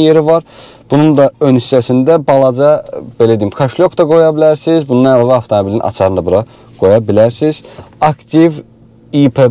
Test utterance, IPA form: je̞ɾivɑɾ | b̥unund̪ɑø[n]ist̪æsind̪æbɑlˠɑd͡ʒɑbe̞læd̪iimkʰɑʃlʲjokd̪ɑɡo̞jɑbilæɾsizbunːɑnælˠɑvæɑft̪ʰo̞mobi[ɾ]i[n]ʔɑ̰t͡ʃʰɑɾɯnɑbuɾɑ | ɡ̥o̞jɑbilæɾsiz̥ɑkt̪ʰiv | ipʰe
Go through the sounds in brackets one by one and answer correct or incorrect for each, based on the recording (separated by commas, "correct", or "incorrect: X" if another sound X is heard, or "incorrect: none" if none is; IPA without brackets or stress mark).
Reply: correct, incorrect: l, correct